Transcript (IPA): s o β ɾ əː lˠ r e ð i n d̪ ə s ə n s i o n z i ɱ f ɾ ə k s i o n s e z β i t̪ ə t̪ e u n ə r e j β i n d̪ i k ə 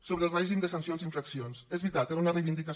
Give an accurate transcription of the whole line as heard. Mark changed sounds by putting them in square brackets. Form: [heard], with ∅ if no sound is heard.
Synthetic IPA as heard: s o β ɾ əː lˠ r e [ʒ] i [m] d̪ ə s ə n s i o n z i ɱ f ɾ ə k s i o n s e z β i t̪ [a] t̪ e u n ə r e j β i n d̪ i k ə

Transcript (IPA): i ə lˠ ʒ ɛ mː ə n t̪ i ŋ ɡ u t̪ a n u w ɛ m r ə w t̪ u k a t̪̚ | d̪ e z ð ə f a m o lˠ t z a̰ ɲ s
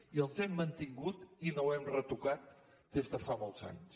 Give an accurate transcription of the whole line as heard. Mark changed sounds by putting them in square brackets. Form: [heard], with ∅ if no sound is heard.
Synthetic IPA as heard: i ə lˠ [z] ɛ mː ə n t̪ i ŋ ɡ u t̪ [i] n [o] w ɛ m r ə [∅] t̪ u k a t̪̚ | d̪ e z ð ə f a m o lˠ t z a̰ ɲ s

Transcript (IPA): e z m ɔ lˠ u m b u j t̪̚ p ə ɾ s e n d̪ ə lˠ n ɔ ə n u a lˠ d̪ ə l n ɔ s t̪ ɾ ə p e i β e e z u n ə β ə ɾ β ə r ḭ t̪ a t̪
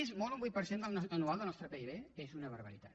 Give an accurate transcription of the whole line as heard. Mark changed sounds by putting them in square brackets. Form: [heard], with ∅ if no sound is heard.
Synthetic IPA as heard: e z m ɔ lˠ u m b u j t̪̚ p ə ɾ s e n d̪ ə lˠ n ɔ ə n u a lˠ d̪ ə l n ɔ s t̪ ɾ ə p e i β e e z u n ə β ə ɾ β ə [ɾ] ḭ t̪ a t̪

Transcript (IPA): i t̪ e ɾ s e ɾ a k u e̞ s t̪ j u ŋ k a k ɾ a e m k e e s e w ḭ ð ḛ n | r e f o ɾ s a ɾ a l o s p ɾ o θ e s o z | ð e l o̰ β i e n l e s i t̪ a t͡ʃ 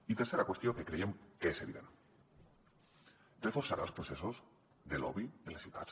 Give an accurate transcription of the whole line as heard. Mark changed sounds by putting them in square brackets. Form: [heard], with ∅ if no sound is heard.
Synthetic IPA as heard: i t̪ e ɾ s e ɾ a k [w] e̞ s t̪ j [o] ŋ k [e] k ɾ [e] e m k e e s e [β] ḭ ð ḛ n | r e f o ɾ s a ɾ a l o s p ɾ o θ e s o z | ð e l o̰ β i e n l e s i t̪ a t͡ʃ

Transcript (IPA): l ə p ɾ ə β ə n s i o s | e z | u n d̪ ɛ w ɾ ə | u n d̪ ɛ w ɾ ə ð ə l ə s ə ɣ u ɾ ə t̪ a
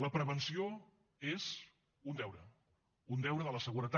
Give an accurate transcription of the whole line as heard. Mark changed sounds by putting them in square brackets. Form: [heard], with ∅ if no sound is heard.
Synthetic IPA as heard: l ə p ɾ ə β ə n s i o [∅] | e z | u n d̪ ɛ w ɾ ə | u n d̪ ɛ w ɾ ə ð ə l ə s ə ɣ u ɾ ə t̪ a

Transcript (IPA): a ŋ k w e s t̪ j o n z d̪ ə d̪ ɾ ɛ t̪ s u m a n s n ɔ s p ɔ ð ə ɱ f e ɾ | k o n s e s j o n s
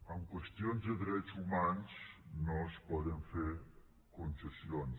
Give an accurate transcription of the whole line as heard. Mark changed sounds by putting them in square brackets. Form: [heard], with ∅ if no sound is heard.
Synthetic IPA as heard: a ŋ k w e s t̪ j o n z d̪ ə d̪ ɾ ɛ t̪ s u m a n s n ɔ s p ɔ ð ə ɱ f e ɾ | k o n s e s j o n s

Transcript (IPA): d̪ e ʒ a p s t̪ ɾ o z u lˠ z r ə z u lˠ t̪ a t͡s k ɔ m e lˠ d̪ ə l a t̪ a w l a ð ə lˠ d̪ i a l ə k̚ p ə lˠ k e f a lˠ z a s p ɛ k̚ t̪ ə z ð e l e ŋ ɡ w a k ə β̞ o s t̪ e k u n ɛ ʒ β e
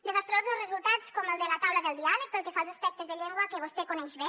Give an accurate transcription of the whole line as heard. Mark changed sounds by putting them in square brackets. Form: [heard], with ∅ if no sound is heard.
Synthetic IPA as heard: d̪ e [z] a [∅] s t̪ ɾ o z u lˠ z r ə z u lˠ t̪ a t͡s k ɔ m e lˠ d̪ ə l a t̪ a w l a ð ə lˠ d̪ i a l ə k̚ p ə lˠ k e f a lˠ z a s p ɛ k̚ t̪ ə z ð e [ʎ] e ŋ ɡ w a k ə β̞ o s t̪ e k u n ɛ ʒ β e

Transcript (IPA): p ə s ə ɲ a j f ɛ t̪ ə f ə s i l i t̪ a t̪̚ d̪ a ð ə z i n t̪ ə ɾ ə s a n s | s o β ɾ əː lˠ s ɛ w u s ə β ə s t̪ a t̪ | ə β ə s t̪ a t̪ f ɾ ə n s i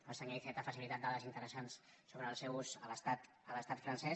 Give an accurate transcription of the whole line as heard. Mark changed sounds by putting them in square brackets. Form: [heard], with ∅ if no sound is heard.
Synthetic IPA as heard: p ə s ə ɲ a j f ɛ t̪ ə f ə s i l i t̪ a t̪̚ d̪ a ð ə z i n t̪ ə ɾ ə s a n s | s o β ɾ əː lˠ s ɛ w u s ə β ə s t̪ a t̪ | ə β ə s t̪ a t̪ f ɾ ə n s [ɛ]

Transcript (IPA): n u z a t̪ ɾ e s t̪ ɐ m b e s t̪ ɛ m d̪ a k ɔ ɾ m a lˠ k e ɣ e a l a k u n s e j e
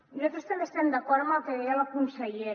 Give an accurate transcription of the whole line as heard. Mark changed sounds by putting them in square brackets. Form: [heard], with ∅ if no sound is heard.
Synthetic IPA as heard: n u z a t̪ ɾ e s t̪ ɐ m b e s t̪ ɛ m d̪ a k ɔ ɾ m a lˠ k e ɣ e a l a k u n s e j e

